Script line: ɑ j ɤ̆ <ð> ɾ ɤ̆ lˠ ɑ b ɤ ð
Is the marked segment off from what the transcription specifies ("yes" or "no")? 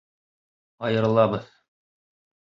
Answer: yes